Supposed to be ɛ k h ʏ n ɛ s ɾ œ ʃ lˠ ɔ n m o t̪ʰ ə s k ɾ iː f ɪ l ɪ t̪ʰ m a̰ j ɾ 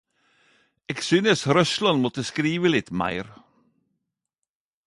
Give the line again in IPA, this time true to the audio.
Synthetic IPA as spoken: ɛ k s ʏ n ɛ s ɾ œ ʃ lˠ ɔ n m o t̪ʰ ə s k ɾ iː v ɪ l ɪ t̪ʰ m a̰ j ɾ